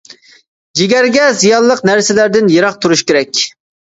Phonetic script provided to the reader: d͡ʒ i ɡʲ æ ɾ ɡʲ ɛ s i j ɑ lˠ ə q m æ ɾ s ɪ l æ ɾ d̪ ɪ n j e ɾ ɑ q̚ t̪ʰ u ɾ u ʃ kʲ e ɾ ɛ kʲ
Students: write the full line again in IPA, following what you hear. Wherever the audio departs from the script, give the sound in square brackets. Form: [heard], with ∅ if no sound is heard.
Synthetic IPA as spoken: d͡ʒ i ɡʲ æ ɾ ɡʲ ɛ [z] i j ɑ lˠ ə q [n] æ ɾ s ɪ l æ ɾ d̪ ɪ n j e ɾ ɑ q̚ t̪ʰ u ɾ u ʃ kʲ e ɾ ɛ kʲ